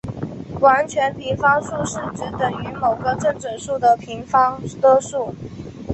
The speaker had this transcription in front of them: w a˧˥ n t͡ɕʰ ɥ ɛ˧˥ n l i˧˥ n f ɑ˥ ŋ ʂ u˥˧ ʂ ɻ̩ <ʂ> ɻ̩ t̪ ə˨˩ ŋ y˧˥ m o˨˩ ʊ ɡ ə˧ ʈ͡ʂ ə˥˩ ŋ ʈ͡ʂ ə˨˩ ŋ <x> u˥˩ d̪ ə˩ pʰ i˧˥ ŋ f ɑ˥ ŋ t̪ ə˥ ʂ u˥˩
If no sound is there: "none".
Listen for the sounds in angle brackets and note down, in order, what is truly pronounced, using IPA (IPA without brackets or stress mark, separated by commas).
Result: ʈ͡ʂ, ʂ